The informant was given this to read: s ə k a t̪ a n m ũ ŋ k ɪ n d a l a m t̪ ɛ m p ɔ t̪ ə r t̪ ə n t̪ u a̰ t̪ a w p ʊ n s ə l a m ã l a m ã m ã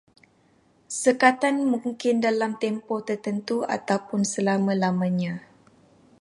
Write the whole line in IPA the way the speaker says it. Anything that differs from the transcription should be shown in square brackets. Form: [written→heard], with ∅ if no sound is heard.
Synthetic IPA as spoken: s ə k a t̪ a n m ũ ŋ k ɪ n d a l a m t̪ ɛ m p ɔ t̪ ə r t̪ ə n t̪ u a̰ t̪ a w p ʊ n s ə l a m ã l a m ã [m→ɲ] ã